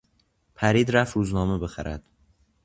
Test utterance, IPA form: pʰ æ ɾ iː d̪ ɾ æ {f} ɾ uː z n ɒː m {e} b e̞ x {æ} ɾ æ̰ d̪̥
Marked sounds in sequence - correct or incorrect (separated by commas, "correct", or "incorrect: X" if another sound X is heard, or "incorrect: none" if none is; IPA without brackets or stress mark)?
correct, correct, correct